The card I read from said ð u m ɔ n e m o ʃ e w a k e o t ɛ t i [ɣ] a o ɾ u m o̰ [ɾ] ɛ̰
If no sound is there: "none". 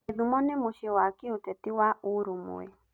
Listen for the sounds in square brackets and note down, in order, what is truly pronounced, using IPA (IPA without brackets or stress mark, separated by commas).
w, none